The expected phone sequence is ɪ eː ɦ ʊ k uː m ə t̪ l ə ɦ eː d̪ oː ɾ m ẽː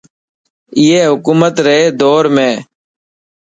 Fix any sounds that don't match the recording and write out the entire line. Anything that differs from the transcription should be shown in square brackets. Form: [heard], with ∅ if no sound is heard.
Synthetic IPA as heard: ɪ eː ɦ ʊ k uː m ə t̪ [ɾ] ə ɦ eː d̪ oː ɾ m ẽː